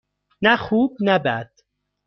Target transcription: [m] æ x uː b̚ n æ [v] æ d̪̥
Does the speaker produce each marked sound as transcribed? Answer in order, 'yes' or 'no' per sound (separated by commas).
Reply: no, no